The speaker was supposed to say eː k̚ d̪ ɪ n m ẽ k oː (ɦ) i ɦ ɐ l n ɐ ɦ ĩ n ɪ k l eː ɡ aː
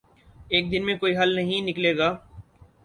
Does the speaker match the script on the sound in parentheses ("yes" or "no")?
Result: no